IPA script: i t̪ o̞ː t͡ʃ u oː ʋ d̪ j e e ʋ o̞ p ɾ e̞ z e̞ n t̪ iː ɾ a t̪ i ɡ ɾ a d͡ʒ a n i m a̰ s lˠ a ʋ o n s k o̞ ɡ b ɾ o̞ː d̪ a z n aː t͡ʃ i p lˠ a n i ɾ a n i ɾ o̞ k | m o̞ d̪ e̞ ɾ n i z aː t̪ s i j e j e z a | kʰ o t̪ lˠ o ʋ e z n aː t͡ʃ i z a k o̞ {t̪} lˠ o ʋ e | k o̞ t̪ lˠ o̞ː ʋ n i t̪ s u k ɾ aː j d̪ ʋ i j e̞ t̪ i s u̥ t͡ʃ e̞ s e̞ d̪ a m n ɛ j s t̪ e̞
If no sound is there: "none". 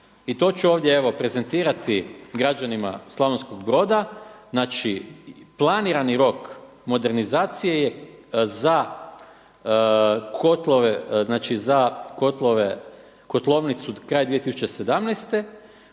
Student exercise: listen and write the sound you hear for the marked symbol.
t̪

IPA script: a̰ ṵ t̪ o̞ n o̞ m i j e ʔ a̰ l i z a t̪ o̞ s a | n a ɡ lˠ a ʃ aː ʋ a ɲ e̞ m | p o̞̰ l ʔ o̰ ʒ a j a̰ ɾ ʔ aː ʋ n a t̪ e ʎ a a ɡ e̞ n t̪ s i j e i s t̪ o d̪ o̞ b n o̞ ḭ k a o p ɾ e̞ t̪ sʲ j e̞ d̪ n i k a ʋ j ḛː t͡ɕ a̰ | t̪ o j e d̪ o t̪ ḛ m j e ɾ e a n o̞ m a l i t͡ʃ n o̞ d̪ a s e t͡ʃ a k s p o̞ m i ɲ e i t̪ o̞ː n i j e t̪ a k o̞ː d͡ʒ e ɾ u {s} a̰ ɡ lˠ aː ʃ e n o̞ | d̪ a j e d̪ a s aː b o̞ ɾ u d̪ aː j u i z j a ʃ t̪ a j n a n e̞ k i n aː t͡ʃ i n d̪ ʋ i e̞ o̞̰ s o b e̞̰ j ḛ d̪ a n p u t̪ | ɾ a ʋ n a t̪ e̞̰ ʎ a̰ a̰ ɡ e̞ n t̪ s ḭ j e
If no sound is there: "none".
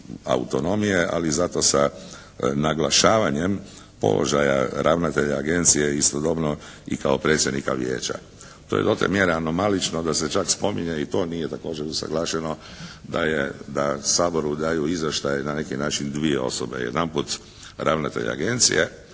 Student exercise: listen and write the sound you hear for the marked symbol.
s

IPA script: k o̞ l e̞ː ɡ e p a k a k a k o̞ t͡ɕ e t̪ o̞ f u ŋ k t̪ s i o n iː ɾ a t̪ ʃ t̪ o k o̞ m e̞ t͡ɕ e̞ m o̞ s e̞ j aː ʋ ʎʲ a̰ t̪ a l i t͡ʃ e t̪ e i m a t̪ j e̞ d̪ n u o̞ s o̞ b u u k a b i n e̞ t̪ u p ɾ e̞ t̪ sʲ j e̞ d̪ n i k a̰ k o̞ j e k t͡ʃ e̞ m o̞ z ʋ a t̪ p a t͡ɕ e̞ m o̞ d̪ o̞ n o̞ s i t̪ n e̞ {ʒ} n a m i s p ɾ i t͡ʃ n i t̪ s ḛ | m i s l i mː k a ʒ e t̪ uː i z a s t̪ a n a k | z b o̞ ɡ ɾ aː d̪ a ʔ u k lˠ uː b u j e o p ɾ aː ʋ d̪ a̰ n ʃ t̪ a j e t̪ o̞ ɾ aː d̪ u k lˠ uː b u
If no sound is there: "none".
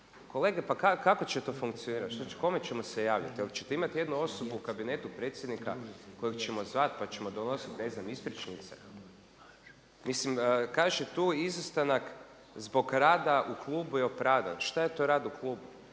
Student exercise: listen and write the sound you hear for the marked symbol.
z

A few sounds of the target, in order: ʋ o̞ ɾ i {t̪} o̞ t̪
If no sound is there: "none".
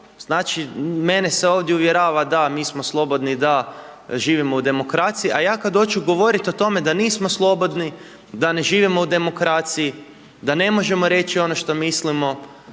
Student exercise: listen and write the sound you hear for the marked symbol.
t̪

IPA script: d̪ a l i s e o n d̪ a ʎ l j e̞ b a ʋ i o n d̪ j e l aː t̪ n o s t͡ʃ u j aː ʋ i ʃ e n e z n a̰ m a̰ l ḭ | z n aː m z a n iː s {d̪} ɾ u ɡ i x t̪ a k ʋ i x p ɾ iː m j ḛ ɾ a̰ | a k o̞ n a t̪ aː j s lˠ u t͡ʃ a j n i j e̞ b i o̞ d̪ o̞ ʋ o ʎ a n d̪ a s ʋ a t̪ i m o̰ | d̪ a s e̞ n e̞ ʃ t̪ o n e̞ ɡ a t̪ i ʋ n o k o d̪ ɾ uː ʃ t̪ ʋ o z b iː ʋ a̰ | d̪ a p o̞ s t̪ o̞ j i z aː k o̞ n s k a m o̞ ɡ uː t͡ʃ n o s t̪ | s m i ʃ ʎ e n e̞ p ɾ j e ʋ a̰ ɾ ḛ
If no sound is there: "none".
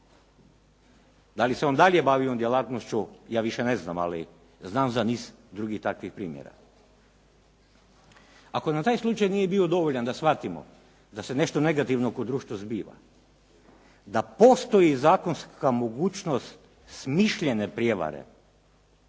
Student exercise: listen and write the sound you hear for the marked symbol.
d̪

